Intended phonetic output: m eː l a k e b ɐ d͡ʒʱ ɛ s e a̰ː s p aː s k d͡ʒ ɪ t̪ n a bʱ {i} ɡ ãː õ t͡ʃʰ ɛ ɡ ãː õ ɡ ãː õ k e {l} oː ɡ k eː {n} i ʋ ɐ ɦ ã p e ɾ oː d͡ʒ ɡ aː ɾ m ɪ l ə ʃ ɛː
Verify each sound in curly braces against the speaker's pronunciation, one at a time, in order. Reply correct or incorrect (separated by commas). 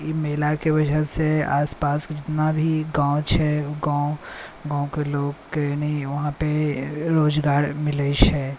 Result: correct, correct, correct